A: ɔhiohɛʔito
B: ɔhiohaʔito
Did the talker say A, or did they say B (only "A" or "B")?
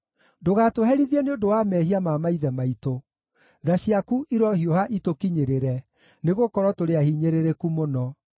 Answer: B